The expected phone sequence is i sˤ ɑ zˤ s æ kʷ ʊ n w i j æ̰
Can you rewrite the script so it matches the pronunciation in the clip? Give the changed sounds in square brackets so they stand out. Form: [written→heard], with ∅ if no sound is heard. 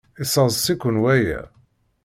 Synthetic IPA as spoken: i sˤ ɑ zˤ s [æ→i] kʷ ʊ n w [i→æ] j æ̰